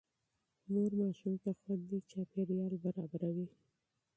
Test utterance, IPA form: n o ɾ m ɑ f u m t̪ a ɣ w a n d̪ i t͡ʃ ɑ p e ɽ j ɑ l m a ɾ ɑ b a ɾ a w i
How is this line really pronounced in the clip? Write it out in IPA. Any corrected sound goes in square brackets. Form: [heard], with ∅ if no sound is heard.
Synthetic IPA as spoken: n o ɾ m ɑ [ʃ] u m t̪ a [x] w a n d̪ i t͡ʃ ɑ p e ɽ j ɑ l [b] a ɾ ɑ b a ɾ a w i